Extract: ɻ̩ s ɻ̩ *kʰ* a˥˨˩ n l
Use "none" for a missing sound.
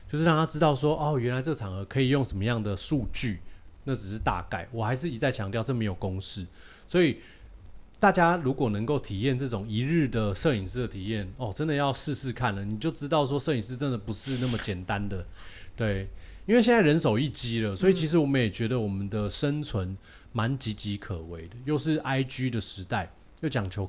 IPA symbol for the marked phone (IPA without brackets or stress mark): kʰ